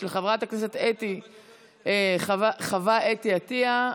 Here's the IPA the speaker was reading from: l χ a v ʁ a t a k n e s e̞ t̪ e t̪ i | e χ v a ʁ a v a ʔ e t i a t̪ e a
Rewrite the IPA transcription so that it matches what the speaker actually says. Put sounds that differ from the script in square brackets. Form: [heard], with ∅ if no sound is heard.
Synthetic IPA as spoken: l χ a v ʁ a t a k n e s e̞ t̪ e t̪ i | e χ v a [χ] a v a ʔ e t i a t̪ [i] a